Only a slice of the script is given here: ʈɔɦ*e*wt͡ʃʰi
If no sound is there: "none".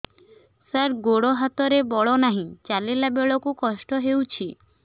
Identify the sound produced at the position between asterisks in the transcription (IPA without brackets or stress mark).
e